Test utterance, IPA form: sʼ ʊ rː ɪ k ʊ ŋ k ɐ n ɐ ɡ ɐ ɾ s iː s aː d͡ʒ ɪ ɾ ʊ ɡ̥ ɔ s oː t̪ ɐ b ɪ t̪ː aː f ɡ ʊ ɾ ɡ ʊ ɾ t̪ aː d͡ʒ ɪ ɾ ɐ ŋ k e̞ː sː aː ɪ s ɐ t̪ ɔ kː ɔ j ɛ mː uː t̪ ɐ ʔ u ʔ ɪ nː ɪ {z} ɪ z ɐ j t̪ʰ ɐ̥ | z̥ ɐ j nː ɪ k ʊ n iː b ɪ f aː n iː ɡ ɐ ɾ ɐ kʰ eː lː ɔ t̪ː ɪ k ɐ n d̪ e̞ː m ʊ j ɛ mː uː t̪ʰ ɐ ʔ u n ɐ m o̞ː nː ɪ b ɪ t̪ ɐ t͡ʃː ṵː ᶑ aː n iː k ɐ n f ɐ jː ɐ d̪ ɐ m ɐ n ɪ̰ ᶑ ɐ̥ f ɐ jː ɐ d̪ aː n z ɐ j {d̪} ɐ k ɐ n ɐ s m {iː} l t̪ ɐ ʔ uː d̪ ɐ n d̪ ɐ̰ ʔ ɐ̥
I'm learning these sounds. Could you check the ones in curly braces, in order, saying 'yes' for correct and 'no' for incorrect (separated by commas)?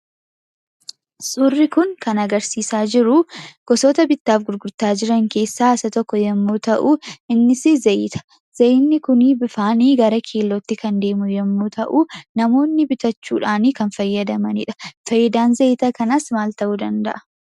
no, no, no